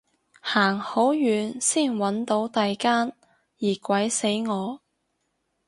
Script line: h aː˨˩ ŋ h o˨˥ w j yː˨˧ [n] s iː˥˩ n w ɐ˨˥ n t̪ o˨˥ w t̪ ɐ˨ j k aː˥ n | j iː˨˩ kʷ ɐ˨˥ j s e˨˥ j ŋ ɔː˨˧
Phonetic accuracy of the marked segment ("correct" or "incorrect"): correct